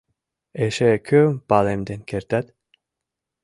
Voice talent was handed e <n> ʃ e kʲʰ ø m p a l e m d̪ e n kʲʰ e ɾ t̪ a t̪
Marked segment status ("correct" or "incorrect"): incorrect